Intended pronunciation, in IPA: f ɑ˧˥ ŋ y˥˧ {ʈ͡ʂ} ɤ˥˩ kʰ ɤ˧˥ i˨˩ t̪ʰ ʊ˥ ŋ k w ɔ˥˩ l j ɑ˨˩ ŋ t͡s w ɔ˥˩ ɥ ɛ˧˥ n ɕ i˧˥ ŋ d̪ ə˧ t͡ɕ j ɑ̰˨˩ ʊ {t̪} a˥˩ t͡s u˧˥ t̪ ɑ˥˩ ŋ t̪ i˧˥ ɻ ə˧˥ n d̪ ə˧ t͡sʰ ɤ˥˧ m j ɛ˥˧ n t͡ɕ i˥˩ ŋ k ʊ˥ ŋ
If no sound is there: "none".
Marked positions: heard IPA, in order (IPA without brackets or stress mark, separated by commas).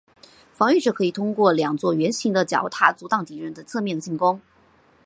ʈ͡ʂ, t̪ʰ